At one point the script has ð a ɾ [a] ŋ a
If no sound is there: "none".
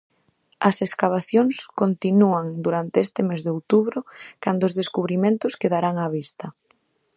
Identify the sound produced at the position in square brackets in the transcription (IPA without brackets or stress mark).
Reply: a